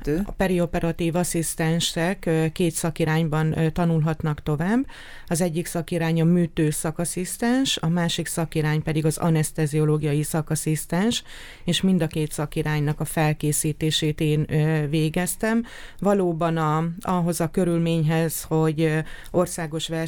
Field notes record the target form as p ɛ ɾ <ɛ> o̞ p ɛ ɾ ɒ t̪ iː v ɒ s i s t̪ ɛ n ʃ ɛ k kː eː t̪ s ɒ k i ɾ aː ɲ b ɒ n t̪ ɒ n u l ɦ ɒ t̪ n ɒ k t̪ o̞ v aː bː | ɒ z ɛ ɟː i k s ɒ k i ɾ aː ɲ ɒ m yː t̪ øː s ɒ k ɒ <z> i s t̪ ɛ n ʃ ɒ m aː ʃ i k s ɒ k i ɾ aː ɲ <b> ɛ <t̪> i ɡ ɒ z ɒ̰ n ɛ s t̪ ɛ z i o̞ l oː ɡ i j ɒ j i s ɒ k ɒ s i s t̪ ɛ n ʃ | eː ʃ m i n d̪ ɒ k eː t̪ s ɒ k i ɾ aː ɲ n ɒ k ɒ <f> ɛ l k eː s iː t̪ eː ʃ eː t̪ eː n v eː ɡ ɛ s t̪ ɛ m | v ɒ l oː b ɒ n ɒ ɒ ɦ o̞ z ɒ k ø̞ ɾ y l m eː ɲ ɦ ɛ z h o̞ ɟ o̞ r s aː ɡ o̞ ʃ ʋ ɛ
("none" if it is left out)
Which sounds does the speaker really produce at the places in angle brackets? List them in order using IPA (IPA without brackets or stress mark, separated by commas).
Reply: i, s, p, d̪, f